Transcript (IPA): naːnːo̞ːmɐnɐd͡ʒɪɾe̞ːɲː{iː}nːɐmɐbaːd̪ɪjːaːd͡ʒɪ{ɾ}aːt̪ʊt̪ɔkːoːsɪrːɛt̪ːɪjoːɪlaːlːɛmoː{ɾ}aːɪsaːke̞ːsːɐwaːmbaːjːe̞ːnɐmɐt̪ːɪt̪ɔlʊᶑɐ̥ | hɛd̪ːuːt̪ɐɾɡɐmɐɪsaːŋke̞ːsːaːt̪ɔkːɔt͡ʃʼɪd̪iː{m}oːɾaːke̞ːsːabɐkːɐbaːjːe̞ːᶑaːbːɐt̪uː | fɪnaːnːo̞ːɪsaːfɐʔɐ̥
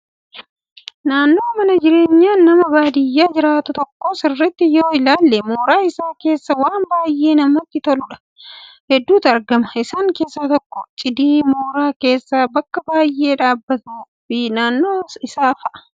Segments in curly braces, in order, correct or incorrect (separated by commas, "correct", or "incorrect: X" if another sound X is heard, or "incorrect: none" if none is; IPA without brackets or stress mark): incorrect: aː, correct, correct, correct